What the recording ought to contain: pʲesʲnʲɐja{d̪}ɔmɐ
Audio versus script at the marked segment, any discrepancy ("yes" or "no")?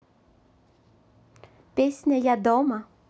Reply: no